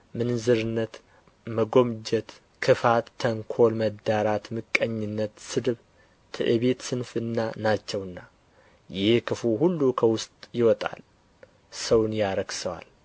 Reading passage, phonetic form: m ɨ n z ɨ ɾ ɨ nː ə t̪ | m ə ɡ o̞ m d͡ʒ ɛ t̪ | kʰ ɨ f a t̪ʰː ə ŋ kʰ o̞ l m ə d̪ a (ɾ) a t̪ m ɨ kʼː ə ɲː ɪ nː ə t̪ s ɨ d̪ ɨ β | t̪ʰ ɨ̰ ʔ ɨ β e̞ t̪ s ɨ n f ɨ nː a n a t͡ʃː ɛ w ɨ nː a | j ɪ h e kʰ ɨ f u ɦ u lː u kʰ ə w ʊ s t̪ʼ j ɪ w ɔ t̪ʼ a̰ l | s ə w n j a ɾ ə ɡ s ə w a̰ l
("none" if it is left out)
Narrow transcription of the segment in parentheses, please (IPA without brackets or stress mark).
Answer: ɾ